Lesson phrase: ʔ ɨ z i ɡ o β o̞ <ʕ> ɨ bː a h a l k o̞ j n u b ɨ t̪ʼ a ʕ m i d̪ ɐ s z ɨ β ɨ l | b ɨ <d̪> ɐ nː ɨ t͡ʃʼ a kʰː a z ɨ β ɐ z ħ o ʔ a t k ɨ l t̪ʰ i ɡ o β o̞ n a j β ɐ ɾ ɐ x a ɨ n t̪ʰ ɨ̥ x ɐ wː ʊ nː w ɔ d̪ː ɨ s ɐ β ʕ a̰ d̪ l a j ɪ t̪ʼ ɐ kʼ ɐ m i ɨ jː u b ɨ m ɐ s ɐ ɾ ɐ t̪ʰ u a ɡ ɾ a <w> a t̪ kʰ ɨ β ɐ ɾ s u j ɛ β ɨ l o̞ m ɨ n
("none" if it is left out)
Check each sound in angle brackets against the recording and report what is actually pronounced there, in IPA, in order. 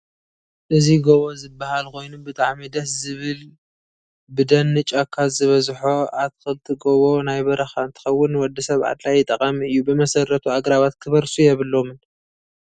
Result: z, d̪, β

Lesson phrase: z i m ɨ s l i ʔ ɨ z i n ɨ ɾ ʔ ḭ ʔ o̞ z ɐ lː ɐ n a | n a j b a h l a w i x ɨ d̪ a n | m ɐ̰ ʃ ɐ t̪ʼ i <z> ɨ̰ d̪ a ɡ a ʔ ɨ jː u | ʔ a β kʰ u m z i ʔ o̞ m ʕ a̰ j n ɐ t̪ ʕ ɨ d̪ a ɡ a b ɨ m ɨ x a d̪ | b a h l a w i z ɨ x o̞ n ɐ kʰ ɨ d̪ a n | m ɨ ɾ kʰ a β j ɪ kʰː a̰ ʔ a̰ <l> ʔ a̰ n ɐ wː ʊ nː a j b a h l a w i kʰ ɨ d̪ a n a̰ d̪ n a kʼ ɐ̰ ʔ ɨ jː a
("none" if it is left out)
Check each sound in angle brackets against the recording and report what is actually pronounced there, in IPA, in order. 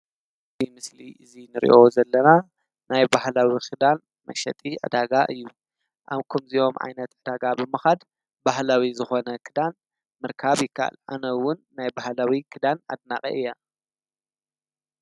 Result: ʕ, l

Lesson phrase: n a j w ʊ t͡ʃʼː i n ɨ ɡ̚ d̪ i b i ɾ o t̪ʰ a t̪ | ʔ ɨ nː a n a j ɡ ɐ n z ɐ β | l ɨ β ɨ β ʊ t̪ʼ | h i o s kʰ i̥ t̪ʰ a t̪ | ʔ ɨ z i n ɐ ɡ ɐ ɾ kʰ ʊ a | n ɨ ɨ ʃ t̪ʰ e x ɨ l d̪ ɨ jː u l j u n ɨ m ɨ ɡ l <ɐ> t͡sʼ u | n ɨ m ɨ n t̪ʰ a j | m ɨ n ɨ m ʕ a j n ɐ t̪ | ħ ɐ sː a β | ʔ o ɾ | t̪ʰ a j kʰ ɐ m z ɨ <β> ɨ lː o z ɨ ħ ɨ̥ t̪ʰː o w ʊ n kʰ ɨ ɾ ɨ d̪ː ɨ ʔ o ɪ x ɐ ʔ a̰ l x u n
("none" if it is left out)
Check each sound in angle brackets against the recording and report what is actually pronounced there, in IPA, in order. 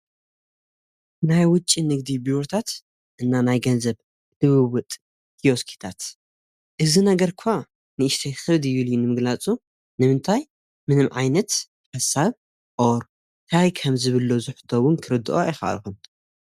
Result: a, β

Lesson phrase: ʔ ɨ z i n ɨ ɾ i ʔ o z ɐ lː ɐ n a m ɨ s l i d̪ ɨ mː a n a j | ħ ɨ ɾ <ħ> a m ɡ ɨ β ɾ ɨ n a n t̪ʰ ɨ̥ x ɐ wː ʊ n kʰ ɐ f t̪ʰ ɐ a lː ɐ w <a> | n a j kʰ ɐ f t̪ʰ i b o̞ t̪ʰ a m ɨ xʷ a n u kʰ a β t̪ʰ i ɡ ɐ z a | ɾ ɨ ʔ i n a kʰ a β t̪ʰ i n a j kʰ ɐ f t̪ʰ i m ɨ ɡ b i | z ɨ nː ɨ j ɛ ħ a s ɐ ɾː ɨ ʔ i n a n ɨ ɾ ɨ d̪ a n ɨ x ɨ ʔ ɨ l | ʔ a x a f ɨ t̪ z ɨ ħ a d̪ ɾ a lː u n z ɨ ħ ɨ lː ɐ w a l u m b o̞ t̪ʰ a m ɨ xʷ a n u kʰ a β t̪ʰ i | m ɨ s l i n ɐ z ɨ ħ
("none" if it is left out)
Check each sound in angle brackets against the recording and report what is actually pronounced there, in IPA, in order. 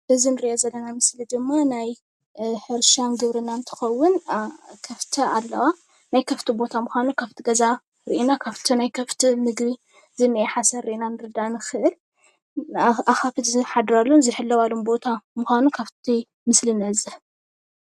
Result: ʃ, a

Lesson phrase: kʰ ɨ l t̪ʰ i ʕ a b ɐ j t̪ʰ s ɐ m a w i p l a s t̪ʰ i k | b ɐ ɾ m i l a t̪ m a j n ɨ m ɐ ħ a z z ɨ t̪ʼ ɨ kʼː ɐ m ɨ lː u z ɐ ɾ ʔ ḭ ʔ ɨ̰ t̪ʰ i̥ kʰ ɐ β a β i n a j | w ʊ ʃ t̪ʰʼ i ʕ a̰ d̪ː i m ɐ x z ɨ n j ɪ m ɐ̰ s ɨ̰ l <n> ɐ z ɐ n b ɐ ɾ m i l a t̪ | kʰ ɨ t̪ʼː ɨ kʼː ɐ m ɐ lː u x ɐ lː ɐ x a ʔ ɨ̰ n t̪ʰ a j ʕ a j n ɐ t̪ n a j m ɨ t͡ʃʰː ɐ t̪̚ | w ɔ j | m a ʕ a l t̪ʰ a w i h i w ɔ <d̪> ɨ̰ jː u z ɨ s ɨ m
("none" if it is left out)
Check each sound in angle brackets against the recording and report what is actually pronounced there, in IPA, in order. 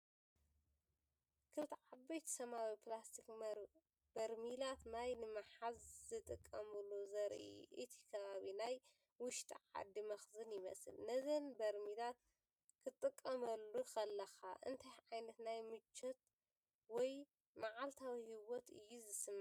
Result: n, t̪

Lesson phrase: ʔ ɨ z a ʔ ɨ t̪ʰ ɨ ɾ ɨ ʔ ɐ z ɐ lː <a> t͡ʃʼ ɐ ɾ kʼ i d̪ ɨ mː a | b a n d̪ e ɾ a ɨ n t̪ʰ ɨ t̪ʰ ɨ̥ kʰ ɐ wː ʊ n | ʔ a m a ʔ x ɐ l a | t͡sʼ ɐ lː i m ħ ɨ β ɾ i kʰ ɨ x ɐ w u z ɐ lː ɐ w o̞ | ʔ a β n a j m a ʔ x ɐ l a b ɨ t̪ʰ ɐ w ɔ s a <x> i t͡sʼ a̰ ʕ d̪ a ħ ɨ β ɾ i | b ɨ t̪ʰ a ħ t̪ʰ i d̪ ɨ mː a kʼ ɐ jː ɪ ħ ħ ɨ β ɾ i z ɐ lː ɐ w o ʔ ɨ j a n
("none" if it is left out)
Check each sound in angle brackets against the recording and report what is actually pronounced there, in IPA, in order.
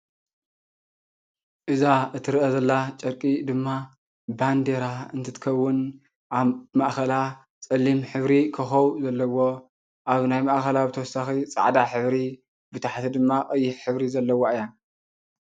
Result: a, x

